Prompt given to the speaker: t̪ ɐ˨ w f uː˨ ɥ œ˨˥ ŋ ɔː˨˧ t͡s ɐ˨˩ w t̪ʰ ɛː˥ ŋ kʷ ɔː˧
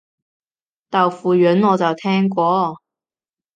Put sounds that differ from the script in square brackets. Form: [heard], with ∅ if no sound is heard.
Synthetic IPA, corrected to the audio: t̪ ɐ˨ w f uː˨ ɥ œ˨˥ [n] ɔː˨˧ t͡s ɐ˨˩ w t̪ʰ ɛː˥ ŋ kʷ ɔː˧